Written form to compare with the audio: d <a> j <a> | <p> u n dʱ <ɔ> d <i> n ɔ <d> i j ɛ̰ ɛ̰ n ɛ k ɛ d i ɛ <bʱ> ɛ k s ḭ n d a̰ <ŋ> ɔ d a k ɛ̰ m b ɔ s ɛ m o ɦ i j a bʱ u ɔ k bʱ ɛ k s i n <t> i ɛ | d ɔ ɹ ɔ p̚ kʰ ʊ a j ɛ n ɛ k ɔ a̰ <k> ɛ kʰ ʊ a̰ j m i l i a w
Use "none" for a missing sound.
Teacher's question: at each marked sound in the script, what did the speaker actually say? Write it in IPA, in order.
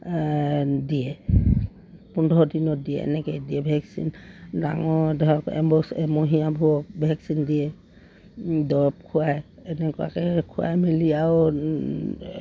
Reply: i, ɛ, p, ɔ, i, d, bʱ, ŋ, d, k

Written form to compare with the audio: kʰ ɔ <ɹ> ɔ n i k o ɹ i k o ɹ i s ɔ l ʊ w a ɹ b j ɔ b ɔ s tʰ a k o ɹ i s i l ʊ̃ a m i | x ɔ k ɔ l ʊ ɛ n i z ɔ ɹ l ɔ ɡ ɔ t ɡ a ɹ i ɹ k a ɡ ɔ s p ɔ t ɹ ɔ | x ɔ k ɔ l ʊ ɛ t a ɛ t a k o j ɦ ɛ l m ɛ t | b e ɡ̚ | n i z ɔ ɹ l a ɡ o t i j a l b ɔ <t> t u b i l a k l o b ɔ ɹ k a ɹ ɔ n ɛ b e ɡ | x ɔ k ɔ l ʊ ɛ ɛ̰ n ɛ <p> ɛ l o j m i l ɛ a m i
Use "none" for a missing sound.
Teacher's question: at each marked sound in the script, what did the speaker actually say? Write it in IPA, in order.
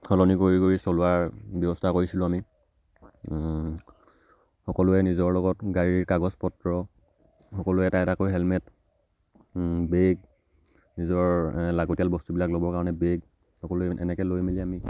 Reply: l, s, k

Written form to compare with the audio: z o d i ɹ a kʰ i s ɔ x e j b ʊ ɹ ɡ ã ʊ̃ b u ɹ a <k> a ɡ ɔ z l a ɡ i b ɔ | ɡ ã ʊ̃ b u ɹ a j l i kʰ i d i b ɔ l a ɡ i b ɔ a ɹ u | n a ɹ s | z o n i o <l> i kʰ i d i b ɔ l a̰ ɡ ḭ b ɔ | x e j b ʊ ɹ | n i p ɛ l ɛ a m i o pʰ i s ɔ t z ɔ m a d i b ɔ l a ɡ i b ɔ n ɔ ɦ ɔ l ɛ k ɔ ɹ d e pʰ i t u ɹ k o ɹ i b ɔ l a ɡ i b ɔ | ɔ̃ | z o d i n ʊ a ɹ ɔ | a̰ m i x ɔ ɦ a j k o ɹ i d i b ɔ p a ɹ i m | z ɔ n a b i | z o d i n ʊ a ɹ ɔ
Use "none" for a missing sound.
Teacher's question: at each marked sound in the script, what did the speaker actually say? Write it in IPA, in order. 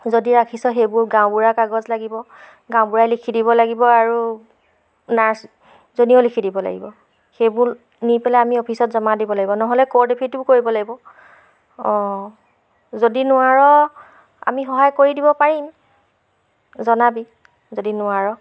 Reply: k, l

